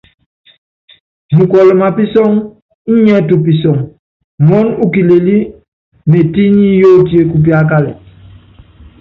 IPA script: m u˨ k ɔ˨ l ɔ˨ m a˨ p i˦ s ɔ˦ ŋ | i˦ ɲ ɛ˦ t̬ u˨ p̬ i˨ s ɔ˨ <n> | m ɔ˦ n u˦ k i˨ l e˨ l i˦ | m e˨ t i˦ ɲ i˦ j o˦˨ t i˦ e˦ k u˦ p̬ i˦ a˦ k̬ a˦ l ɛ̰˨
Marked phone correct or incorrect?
incorrect